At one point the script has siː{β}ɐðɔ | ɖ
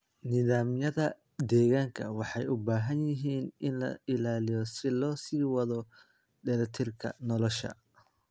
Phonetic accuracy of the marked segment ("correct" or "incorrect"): incorrect